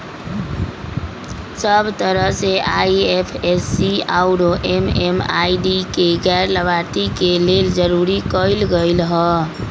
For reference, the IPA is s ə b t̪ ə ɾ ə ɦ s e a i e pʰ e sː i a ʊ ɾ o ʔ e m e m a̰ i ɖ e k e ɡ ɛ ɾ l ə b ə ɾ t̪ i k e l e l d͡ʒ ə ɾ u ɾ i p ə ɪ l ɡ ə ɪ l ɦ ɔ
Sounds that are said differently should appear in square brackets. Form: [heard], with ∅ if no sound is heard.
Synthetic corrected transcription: s ə b t̪ ə ɾ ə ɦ s e a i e pʰ e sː i a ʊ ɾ o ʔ e m e m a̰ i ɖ [i] k e ɡ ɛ ɾ l ə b [a] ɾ t̪ i k e l e l d͡ʒ ə ɾ u ɾ i [k] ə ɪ l ɡ ə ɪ l ɦ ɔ